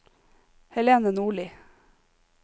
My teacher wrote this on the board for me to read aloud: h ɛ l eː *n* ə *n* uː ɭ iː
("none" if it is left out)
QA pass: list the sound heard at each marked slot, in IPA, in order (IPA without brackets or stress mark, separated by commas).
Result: n, n